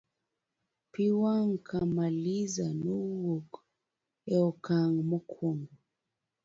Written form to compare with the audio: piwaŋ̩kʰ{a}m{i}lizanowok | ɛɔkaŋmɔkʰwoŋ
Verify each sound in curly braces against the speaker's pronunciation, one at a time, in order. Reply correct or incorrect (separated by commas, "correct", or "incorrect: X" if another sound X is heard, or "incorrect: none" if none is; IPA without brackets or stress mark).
correct, incorrect: a